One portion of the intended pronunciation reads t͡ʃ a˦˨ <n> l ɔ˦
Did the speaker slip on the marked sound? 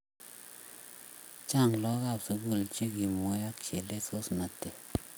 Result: yes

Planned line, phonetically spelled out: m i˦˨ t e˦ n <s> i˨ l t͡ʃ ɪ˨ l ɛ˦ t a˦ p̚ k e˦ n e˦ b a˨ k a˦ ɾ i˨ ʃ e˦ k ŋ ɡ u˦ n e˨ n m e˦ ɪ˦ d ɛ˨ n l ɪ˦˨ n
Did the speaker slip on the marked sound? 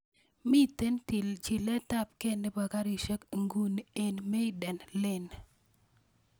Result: yes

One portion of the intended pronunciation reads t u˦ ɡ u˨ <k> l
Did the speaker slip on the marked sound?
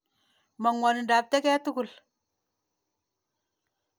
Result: yes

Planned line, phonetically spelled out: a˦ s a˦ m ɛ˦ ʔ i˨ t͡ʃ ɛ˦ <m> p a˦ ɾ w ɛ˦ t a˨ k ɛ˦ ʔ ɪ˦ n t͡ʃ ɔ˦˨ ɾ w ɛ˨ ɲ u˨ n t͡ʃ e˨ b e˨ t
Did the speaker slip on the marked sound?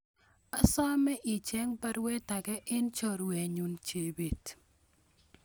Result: yes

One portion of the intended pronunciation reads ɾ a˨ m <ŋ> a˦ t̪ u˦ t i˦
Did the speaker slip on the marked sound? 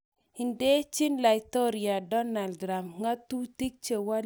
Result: no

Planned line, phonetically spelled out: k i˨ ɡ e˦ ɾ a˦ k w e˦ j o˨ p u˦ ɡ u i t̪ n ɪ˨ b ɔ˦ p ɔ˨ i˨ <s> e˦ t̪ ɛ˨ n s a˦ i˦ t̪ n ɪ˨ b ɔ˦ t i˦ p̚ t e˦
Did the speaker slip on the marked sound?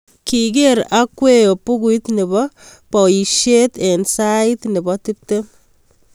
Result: yes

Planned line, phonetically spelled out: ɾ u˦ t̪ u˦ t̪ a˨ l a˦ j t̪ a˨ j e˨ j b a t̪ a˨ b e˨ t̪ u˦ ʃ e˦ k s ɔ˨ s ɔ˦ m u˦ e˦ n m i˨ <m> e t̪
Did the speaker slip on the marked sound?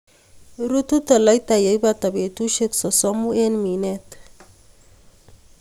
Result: yes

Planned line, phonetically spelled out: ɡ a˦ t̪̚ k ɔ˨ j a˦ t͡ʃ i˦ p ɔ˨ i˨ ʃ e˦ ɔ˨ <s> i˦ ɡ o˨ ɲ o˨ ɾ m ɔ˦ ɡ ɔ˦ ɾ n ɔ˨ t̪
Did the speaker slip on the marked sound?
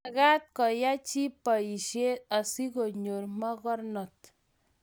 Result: no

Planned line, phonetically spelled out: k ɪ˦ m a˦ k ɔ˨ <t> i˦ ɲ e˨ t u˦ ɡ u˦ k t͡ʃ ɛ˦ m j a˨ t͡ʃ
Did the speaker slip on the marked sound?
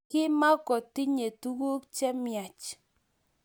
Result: no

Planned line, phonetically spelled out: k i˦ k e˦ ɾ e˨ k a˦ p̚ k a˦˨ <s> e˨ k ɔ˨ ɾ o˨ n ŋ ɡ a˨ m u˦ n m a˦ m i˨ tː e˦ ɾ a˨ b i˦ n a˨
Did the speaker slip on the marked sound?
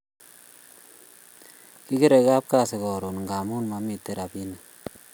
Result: no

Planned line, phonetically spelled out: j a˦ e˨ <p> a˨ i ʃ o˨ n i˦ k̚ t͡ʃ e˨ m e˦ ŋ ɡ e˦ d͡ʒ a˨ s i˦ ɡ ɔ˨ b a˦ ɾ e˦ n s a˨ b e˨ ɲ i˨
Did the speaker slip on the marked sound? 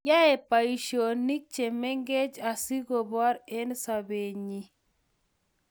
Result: no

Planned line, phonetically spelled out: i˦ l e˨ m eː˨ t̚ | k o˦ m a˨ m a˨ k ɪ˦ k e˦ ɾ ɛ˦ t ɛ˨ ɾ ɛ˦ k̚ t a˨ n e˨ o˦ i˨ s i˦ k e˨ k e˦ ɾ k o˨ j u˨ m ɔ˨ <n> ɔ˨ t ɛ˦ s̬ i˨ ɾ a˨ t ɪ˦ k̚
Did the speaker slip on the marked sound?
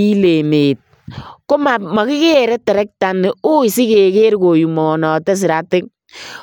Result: no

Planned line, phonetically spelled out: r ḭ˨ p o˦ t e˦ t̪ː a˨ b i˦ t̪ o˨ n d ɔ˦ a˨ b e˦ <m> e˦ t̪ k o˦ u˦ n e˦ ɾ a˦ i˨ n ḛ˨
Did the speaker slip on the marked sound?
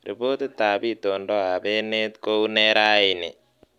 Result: yes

